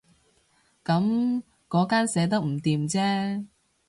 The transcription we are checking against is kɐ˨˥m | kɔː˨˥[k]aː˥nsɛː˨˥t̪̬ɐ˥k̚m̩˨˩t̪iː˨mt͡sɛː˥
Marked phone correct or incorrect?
correct